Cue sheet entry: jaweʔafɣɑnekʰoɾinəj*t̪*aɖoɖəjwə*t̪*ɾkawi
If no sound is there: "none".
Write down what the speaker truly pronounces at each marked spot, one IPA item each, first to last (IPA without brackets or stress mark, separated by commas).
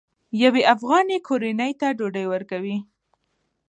t̪, none